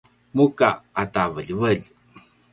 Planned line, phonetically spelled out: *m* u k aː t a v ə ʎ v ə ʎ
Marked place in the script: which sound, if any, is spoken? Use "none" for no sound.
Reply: m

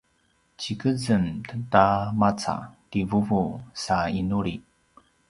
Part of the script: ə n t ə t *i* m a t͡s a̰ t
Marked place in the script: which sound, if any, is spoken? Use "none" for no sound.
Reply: a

